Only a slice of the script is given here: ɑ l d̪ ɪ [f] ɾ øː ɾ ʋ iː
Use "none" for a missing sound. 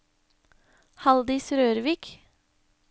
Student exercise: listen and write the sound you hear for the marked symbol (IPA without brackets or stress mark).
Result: s